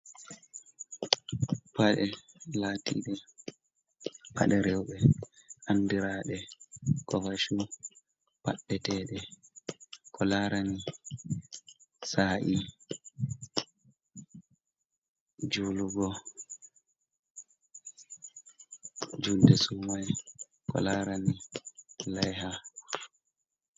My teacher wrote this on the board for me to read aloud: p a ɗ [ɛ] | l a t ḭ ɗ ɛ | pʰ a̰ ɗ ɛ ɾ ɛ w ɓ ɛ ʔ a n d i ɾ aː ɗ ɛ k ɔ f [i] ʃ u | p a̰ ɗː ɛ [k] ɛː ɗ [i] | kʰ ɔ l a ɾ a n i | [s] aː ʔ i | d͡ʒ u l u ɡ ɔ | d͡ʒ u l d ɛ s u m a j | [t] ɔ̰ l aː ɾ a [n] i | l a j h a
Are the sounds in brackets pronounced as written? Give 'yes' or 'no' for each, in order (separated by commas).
yes, no, no, no, yes, no, yes